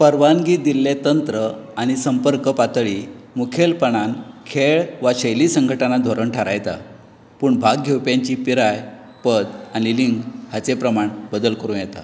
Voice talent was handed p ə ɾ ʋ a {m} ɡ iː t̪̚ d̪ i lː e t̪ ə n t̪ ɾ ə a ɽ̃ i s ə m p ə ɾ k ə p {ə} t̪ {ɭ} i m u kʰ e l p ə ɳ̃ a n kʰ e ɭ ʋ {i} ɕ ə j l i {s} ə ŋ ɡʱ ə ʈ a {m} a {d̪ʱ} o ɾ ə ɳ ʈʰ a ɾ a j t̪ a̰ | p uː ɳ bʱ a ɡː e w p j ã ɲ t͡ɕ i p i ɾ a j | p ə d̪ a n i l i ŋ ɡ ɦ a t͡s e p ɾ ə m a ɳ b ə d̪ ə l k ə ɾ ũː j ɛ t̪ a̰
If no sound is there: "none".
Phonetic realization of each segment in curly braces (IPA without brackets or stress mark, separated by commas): n, a, ɭ, a, s, n, d̪ʱ